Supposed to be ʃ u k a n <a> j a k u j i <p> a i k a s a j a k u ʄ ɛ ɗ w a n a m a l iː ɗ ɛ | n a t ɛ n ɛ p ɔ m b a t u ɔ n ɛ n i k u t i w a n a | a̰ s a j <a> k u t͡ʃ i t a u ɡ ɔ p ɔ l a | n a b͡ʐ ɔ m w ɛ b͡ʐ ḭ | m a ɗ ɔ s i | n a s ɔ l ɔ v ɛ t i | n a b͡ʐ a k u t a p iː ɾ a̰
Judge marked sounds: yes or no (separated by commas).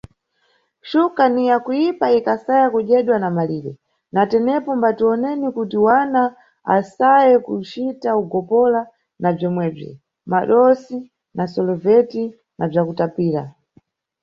no, yes, no